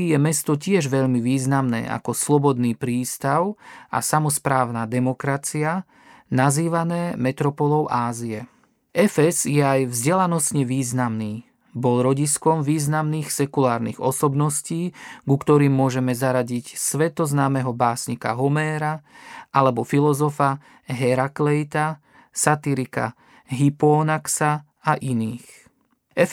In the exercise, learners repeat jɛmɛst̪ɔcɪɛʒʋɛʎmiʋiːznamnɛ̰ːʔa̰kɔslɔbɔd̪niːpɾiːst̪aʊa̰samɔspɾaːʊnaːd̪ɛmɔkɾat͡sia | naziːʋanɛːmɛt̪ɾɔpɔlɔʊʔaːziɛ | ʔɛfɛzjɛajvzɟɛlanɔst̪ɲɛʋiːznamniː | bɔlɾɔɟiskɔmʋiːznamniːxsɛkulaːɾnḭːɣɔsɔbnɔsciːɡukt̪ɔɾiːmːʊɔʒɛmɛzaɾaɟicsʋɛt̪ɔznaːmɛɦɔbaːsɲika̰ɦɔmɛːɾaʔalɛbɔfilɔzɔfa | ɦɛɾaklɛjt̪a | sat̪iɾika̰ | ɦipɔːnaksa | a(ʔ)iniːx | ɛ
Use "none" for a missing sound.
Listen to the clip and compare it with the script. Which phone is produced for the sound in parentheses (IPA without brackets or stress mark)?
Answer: ʔ